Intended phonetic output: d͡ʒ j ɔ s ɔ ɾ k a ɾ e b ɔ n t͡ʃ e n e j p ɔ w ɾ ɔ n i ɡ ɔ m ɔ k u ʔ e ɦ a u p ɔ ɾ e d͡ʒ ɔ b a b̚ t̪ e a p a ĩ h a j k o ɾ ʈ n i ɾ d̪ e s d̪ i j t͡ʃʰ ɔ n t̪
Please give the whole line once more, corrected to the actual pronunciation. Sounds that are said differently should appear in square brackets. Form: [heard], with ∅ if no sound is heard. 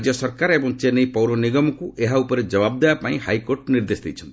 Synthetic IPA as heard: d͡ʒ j ɔ s ɔ ɾ k a ɾ e b ɔ [ŋ] t͡ʃ e n e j p ɔ w ɾ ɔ n i ɡ ɔ m ɔ k u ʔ e ɦ a u p ɔ ɾ e d͡ʒ ɔ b a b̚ [d̪] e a p a ĩ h a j k o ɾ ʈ n i ɾ d̪ e s d̪ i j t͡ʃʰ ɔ n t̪

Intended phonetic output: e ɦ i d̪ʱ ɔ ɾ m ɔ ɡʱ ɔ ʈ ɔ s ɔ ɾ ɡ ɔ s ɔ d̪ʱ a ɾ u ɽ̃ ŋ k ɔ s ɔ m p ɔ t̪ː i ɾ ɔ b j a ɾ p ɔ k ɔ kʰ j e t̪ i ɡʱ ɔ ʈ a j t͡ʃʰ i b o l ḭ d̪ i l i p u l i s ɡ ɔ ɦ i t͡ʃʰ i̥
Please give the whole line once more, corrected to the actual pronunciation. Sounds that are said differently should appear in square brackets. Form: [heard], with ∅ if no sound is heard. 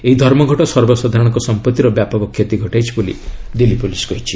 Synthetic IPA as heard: e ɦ i d̪ʱ ɔ ɾ m ɔ ɡʱ ɔ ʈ ɔ s ɔ ɾ [b] ɔ s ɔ d̪ʱ a ɾ [ɔ] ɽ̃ ŋ k ɔ s ɔ m p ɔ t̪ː i ɾ ɔ b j a [∅] p ɔ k ɔ kʰ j e t̪ i ɡʱ ɔ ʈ a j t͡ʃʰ i b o l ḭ d̪ i l i p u l i s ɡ ɔ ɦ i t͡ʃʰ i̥

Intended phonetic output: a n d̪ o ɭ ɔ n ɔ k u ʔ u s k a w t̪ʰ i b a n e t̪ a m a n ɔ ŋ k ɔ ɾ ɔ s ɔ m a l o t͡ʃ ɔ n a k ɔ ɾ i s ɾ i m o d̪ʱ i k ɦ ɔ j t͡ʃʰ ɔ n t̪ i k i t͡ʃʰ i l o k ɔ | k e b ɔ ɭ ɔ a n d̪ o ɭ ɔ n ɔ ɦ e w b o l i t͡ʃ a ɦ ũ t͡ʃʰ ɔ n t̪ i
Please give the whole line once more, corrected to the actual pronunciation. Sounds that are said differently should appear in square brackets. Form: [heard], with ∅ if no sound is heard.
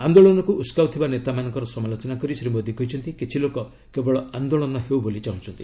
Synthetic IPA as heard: a n d̪ o ɭ ɔ n ɔ k u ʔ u s k a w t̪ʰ i b a n e t̪ a m a n ɔ ŋ k ɔ ɾ ɔ s ɔ m a l o t͡ʃ ɔ n a k ɔ ɾ i s ɾ i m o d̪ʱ i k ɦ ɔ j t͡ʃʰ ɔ n t̪ i k i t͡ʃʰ i l o k ɔ | k e b ɔ ɭ ɔ a n d̪ o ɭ ɔ n ɔ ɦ e w b o l i t͡ʃ a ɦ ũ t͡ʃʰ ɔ n t̪ i

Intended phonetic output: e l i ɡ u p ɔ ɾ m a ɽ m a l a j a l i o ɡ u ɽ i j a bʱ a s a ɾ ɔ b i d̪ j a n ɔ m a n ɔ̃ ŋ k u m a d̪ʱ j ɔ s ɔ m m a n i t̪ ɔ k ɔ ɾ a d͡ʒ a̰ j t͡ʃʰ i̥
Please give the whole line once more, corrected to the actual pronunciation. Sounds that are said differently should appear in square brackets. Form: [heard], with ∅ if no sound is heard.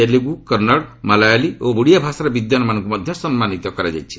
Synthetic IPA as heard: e l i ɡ u [k] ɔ ɾ [n] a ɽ m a l a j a l i o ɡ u ɽ i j a bʱ a s a ɾ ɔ b i d̪ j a n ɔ m a n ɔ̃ ŋ k u m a d̪ʱ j ɔ s ɔ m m a n i t̪ ɔ k ɔ ɾ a d͡ʒ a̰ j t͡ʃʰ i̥

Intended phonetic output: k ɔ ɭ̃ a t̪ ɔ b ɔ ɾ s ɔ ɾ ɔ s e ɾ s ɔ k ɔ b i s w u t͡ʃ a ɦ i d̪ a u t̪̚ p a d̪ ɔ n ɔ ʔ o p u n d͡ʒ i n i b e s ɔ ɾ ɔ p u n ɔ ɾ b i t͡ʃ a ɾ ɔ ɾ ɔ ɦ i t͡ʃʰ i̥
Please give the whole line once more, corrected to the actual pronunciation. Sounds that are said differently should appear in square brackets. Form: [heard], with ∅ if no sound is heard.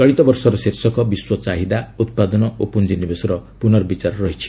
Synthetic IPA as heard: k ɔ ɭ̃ [i] t̪ ɔ b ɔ ɾ s ɔ ɾ ɔ s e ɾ s ɔ k ɔ b i s w [ɔ] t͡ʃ a ɦ i d̪ a u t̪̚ p a d̪ ɔ n ɔ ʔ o p u n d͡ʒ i n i b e s ɔ ɾ ɔ p u n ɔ ɾ b i t͡ʃ a ɾ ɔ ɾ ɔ ɦ i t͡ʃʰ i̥

